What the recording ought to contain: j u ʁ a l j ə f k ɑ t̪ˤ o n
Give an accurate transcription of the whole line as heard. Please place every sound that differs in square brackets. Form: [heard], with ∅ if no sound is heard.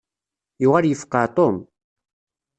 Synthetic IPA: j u ʁ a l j ə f [q] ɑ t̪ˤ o [m]